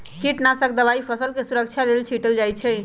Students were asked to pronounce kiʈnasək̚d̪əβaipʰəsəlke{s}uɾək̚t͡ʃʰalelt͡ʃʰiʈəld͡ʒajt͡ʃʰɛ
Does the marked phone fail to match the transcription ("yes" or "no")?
no